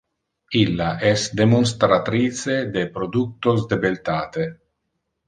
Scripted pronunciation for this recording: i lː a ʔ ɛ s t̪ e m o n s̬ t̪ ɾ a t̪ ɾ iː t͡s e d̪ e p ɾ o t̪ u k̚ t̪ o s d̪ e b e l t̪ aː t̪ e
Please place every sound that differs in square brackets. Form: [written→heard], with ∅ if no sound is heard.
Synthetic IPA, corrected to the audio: i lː a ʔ ɛ s [t̪→d̪] e m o n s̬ t̪ ɾ a t̪ ɾ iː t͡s e d̪ e p ɾ o [t̪→d̪] u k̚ t̪ o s d̪ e b e l t̪ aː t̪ e